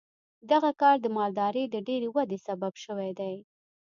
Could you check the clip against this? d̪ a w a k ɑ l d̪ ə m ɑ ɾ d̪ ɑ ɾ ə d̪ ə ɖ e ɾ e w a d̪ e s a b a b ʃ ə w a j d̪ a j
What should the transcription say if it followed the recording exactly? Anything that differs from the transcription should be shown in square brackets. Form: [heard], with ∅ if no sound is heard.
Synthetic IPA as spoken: d̪ a [ɣ] a k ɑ [ɾ] d̪ ə m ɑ [l] d̪ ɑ ɾ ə d̪ ə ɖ e ɾ e w a d̪ e s a b a b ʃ ə w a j d̪ a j